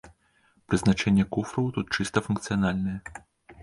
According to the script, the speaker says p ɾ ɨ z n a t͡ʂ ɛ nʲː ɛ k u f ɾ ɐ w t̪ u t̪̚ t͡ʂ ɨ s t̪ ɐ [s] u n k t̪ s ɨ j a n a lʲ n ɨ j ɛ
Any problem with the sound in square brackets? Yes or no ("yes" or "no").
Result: yes